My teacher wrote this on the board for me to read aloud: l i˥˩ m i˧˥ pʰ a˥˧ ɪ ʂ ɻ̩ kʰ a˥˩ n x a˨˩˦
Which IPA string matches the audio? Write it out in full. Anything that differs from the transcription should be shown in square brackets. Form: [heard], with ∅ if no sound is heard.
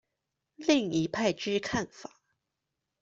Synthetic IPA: l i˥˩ [ŋ] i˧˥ pʰ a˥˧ ɪ [ʈ͡ʂ] ɻ̩ kʰ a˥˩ n [f] a˨˩˦